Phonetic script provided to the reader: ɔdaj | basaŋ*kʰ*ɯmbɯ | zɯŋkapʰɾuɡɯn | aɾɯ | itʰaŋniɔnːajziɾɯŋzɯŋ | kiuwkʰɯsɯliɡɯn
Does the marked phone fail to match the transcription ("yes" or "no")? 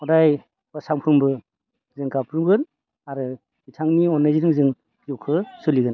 yes